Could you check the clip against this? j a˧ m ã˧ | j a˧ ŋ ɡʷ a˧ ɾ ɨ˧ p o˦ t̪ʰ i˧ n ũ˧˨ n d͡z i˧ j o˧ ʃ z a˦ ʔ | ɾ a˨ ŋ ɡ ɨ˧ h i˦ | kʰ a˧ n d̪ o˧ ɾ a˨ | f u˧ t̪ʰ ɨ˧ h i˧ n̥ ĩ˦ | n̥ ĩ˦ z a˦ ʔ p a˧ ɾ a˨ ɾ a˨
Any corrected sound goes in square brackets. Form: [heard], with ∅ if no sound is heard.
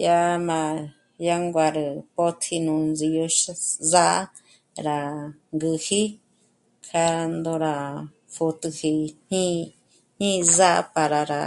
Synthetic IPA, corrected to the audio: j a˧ m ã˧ | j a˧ ŋ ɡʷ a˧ ɾ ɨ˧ p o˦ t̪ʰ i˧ n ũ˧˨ n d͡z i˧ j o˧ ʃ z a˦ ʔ | ɾ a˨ ŋ ɡ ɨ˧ h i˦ | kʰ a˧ n d̪ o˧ ɾ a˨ | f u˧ [t̪] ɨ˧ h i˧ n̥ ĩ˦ | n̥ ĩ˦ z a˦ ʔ p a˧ ɾ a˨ ɾ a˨